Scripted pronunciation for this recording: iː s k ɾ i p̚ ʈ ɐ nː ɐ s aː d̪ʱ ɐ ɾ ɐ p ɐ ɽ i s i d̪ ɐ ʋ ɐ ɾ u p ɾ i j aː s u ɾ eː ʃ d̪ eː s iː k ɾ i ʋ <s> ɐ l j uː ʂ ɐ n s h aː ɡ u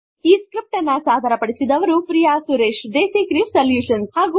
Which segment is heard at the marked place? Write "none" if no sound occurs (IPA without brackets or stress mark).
s